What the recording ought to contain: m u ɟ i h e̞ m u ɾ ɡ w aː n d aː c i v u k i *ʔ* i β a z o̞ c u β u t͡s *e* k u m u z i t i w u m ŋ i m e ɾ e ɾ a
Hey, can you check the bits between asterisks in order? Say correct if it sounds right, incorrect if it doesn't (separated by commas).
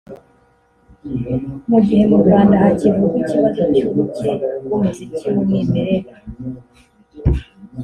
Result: incorrect, correct